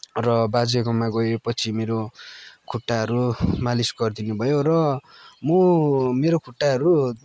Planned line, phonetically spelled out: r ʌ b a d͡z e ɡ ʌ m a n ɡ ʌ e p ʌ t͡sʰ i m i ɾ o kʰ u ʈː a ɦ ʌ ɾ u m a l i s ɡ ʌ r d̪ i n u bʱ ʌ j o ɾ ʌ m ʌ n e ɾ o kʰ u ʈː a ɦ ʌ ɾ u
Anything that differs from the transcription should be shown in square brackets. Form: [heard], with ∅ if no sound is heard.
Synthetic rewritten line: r ʌ b a d͡z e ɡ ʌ m a [∅] ɡ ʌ e p ʌ t͡sʰ i m [e] ɾ o kʰ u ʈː a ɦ ʌ ɾ u m a l i s ɡ ʌ r d̪ i n u bʱ ʌ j o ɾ ʌ m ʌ [m] e ɾ o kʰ u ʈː a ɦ ʌ ɾ u